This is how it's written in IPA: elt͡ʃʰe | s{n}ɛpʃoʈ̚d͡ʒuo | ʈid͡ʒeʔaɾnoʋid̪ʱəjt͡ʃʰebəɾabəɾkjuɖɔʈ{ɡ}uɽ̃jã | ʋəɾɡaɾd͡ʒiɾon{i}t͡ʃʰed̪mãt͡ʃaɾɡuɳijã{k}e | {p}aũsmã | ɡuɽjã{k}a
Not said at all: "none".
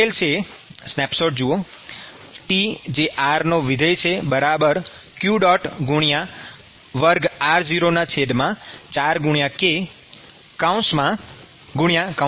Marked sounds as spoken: n, ɡ, a, k, k, k

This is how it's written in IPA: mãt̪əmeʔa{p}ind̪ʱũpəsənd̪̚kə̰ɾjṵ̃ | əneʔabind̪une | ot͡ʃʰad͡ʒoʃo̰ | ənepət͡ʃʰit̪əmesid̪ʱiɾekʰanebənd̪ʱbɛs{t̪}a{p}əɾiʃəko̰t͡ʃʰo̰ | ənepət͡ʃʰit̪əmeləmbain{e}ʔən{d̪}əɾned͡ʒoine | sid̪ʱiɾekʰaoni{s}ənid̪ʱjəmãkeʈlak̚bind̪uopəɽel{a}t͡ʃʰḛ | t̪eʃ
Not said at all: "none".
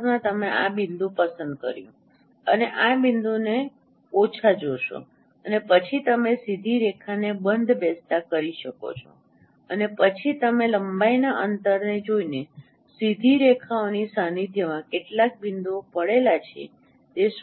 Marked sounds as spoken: b, t̪, k, a, t̪, s, a

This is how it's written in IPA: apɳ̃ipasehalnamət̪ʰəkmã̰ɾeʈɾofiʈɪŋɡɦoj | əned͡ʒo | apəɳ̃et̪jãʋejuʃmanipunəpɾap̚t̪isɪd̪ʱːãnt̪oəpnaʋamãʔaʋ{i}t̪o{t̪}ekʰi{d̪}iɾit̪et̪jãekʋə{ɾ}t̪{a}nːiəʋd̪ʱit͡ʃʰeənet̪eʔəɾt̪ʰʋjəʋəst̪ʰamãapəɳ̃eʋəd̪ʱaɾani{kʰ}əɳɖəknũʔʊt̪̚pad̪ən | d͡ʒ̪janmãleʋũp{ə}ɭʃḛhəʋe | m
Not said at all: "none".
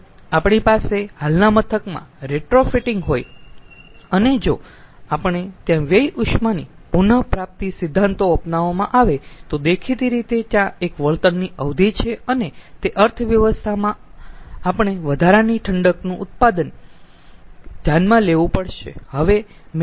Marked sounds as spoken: e, d̪, t̪, ɭ, ə, ʈʰ, ə

